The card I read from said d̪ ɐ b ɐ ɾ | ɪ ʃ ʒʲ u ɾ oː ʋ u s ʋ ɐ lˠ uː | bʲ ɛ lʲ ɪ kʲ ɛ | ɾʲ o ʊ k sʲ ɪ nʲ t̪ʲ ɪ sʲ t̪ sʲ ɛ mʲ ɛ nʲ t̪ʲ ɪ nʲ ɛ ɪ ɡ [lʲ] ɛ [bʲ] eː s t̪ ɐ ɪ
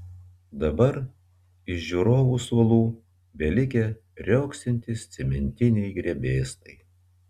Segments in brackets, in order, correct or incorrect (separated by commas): incorrect, correct